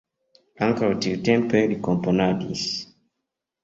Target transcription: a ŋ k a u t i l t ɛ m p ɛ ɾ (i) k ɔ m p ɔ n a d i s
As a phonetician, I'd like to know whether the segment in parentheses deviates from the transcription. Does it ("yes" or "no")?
no